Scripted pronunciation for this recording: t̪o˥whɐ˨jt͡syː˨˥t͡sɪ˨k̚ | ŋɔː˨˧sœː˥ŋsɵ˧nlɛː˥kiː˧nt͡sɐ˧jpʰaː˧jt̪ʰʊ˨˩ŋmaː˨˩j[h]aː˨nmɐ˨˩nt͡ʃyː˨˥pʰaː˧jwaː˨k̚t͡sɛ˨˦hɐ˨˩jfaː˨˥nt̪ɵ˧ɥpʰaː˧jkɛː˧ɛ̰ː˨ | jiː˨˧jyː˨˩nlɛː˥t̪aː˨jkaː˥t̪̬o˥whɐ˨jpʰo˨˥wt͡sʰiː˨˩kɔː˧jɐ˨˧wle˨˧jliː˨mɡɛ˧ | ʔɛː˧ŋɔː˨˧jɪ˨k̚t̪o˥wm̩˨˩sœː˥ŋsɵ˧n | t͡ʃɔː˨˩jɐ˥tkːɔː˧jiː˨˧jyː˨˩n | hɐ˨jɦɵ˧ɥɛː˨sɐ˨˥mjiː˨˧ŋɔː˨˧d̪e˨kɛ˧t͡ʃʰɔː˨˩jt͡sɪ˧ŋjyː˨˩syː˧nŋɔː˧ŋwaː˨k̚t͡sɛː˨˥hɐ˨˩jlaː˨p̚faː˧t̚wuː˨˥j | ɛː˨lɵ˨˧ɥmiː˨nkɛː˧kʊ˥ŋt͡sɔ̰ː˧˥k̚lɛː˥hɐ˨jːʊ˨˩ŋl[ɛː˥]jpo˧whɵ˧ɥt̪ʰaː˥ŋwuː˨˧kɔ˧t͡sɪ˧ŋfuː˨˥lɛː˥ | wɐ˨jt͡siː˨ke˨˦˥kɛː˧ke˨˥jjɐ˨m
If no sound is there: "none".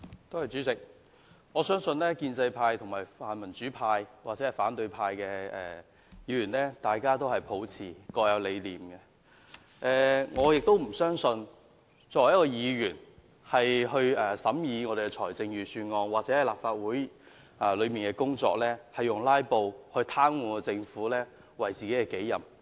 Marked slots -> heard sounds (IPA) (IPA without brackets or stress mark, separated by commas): f, aː˥